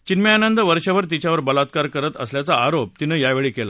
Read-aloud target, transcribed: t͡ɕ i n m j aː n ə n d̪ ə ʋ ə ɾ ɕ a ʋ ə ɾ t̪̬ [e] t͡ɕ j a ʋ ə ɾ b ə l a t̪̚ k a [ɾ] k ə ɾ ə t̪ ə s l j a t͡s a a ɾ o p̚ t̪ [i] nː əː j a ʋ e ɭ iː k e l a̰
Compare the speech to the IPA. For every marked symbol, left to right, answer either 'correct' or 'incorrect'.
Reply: incorrect: i, correct, correct

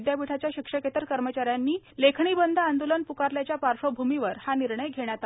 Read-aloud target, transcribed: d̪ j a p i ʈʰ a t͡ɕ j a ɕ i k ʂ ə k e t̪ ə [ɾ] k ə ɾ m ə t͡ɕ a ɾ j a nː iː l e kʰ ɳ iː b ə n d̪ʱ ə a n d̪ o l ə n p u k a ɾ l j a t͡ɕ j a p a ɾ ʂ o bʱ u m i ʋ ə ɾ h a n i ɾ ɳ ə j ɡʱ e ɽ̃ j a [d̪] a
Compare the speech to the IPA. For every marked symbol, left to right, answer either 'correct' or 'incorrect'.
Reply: correct, incorrect: t̪

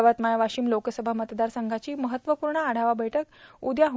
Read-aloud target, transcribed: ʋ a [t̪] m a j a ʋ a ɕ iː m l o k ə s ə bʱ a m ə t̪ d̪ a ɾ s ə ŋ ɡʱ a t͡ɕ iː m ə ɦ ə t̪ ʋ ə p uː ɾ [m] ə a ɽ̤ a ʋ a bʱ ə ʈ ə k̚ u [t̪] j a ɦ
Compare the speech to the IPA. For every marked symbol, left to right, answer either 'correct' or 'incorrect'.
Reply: correct, incorrect: ɳ, incorrect: d̪

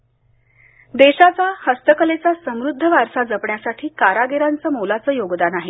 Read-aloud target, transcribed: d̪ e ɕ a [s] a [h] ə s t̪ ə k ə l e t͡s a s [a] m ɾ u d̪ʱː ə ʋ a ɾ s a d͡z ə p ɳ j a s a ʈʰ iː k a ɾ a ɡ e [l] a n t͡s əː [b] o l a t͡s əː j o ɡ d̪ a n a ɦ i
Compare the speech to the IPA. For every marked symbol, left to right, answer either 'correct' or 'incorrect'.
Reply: incorrect: t͡s, correct, incorrect: ə, incorrect: ɾ, incorrect: m

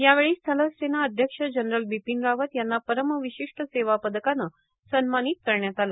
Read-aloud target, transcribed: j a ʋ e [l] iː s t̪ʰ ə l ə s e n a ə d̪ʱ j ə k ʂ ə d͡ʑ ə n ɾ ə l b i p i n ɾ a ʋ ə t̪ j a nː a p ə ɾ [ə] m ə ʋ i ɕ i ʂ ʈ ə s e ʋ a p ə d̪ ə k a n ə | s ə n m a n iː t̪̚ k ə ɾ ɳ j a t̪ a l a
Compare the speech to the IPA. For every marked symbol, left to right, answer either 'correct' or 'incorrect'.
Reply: incorrect: ɭ, correct

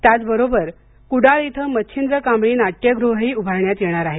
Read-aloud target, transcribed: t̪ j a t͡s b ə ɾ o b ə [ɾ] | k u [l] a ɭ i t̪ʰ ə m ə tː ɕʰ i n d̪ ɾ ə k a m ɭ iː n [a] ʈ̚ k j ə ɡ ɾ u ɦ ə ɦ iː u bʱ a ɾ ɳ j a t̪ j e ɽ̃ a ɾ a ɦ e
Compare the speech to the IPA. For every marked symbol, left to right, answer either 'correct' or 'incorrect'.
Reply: correct, incorrect: ɽ, correct

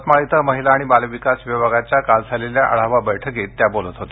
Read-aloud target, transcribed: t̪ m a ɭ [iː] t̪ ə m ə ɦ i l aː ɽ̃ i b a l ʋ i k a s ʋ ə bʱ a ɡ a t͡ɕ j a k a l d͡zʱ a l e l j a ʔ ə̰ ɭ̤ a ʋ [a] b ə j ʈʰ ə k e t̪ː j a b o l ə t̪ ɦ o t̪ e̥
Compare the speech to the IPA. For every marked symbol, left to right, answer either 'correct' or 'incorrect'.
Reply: incorrect: i, correct

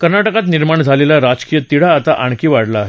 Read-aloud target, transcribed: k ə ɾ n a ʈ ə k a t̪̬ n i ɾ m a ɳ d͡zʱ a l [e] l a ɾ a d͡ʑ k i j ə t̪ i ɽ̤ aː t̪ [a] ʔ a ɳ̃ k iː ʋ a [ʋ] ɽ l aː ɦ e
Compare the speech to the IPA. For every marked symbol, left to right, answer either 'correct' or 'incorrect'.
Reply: correct, correct, incorrect: none

